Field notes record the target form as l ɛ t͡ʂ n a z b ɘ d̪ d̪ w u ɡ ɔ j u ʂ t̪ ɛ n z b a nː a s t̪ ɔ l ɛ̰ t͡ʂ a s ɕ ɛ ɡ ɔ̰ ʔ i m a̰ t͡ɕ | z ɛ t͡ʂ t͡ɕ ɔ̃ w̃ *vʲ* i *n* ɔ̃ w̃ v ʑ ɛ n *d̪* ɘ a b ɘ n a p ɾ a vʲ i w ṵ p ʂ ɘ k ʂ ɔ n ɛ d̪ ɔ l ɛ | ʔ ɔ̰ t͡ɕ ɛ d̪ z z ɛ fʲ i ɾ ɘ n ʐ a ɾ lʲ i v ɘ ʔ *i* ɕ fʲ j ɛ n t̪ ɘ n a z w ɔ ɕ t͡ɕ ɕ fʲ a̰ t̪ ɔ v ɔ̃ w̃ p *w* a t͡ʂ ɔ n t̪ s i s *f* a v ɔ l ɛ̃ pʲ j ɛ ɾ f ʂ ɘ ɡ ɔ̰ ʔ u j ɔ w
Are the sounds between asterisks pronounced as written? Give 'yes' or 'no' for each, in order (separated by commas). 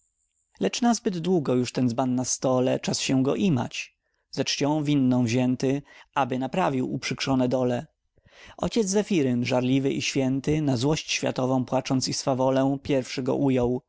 yes, no, no, yes, yes, yes